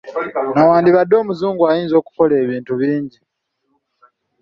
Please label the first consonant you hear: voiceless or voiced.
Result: voiced